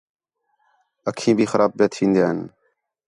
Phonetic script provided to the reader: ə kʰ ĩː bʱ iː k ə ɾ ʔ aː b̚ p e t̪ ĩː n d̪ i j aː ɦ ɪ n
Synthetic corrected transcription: ə kʰ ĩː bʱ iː x ə ɾ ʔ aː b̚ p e t̪ʰ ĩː n d̪ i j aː ɦ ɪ n